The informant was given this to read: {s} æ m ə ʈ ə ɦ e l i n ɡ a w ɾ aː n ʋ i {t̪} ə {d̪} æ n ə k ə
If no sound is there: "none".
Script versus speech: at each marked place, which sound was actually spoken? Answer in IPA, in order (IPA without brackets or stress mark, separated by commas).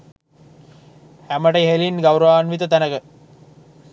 h, t̪, t̪